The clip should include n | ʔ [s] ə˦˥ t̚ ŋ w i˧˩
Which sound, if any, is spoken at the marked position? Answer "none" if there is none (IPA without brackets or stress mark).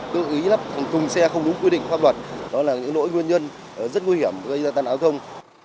z